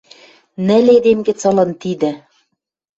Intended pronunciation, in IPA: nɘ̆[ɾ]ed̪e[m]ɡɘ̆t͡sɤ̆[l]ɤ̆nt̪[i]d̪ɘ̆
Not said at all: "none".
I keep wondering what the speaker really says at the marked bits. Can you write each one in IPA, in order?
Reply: l, m, l, i

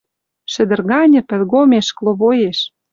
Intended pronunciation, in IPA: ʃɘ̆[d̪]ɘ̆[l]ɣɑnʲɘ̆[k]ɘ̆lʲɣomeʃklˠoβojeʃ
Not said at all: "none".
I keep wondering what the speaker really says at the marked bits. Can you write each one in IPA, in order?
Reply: d̪, r, p

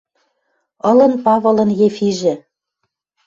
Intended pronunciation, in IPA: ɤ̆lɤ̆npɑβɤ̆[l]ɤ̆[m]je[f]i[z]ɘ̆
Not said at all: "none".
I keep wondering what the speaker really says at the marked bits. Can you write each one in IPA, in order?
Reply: l, n, f, ʒ

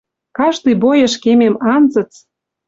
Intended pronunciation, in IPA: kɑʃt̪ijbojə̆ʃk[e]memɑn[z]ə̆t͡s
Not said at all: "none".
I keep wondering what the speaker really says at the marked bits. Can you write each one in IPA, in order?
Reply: e, z

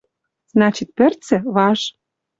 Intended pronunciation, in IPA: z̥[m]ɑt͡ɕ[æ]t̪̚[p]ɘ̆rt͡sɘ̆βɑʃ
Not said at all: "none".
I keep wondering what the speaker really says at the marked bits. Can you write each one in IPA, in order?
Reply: n, i, p

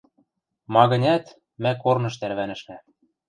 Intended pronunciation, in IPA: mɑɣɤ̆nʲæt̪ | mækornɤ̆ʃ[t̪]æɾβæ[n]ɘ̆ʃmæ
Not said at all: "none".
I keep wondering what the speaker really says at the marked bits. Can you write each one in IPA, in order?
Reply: t̪, n

